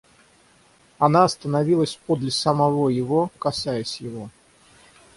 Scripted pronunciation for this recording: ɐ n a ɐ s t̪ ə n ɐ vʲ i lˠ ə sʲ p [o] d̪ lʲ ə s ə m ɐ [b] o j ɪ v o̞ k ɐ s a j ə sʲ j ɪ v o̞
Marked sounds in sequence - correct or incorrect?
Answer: correct, incorrect: v

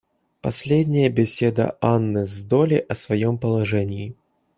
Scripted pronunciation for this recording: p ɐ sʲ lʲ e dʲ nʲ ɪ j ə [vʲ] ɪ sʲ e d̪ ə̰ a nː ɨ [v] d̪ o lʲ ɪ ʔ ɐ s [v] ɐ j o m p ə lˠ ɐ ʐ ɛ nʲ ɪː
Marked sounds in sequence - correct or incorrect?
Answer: incorrect: bʲ, incorrect: z, correct

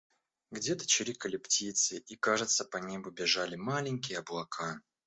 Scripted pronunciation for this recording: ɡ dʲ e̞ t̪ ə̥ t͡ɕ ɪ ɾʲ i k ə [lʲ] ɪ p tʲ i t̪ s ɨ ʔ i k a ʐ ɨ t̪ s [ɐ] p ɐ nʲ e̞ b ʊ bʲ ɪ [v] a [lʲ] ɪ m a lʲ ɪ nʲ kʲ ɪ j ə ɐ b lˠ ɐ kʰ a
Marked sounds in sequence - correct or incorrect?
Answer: correct, incorrect: ə, incorrect: ʐ, correct

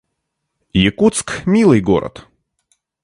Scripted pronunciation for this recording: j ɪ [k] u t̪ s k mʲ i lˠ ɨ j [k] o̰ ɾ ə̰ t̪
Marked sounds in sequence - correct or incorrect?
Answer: correct, incorrect: ɡ

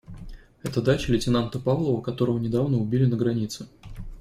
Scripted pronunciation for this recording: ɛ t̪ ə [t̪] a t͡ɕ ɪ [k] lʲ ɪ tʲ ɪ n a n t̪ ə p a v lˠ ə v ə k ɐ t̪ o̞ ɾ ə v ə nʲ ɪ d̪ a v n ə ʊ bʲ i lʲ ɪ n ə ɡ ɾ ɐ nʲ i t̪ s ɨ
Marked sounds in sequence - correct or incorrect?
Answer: incorrect: d̪, incorrect: none

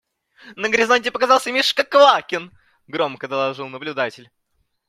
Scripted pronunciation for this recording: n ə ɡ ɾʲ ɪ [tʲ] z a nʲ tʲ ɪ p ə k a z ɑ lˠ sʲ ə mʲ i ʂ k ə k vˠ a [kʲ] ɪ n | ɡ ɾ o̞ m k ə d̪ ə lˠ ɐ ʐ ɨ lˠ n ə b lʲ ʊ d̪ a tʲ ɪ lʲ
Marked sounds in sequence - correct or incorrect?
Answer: incorrect: none, correct

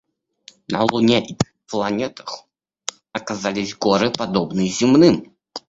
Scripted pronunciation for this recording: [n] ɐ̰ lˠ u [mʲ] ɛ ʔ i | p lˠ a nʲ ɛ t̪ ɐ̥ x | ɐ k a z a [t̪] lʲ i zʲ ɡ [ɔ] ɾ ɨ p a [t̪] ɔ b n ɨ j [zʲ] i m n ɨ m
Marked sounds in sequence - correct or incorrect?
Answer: correct, incorrect: nʲ, incorrect: none, correct, incorrect: d̪, correct

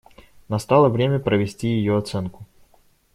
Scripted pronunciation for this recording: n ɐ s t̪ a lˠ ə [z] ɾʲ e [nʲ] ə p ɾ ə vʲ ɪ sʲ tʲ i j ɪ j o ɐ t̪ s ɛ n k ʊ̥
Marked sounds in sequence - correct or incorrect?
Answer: incorrect: v, incorrect: mʲ

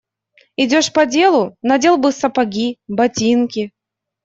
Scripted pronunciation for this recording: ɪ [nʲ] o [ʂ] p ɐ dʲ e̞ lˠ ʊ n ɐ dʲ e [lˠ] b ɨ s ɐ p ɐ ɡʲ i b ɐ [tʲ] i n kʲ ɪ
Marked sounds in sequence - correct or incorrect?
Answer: incorrect: dʲ, correct, correct, correct

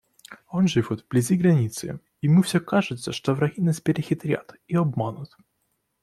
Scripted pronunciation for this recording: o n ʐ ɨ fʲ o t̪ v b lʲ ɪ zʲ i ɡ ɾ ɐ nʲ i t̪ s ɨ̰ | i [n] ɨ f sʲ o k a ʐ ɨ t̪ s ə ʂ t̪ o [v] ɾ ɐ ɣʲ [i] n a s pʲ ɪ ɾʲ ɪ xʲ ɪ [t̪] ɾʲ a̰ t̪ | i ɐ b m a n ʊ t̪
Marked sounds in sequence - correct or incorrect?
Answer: incorrect: m, correct, correct, correct

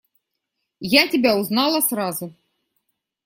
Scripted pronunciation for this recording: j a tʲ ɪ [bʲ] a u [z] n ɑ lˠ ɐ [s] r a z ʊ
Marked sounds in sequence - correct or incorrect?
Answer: correct, correct, correct

